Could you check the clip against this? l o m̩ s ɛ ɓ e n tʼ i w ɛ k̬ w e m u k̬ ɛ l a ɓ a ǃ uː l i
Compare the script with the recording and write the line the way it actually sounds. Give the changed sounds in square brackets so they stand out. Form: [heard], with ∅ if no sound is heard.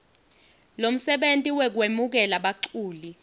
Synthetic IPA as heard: l o m̩ s ɛ ɓ e n tʼ i w ɛ k̬ w e m u k̬ ɛ l a ɓ a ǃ uː l i